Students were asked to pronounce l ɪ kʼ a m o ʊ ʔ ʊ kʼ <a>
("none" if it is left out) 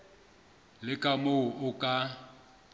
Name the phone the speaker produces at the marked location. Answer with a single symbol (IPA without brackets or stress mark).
a